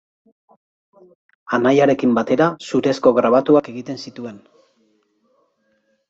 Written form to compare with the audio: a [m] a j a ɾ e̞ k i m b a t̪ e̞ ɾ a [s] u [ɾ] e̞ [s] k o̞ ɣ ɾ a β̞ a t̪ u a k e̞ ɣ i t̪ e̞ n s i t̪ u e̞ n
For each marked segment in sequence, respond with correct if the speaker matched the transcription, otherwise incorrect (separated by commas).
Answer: incorrect, correct, correct, correct